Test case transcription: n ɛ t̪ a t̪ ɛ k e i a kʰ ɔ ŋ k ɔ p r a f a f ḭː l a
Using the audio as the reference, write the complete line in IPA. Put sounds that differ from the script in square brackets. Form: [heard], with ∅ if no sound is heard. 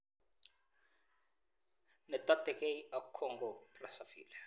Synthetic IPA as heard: n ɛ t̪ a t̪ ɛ k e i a kʰ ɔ ŋ [ɡ] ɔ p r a [s] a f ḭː l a